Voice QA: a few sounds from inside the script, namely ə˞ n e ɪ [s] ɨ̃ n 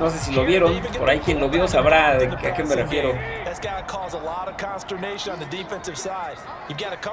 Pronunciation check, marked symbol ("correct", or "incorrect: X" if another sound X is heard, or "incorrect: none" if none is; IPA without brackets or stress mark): incorrect: ʃ